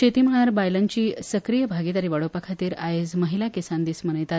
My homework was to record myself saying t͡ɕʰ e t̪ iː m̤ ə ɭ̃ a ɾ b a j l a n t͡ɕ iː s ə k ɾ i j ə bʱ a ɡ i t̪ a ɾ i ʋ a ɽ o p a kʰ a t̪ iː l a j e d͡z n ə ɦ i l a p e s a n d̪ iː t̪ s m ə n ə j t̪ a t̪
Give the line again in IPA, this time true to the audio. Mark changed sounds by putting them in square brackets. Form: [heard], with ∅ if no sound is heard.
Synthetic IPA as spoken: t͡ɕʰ e t̪ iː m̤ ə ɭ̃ a ɾ b a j l a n t͡ɕ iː s ə k ɾ i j ə bʱ a ɡ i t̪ a ɾ i ʋ a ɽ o p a kʰ a t̪ iː [ɾ] a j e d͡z [m] ə ɦ i l a [k] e s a n d̪ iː [∅] s m ə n ə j t̪ a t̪